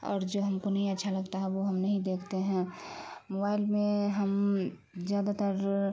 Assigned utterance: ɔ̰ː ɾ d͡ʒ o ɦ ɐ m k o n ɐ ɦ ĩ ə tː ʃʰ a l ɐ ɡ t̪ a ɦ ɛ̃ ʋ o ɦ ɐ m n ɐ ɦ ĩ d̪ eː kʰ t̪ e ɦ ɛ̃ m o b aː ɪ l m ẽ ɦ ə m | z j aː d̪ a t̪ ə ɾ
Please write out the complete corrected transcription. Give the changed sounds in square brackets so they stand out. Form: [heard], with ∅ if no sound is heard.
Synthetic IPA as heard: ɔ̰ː ɾ d͡ʒ o ɦ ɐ m k o n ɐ ɦ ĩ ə tː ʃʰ a l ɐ ɡ t̪ a ɦ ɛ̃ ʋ o ɦ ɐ m n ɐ ɦ ĩ d̪ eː kʰ t̪ e ɦ ɛ̃ m o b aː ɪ l m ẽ ɦ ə m | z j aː d̪ a t̪ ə ɾ